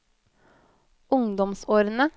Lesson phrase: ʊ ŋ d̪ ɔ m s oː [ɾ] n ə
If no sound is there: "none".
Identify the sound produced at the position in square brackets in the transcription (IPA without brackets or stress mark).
ɾ